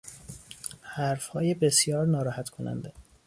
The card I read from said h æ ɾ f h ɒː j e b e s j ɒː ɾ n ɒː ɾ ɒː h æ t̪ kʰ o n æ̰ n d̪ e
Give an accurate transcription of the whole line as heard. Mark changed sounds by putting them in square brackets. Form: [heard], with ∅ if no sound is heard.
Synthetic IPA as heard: h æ ɾ f h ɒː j e b e s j ɒː ɾ n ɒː ɾ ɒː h æ t̪ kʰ o n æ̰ n d̪ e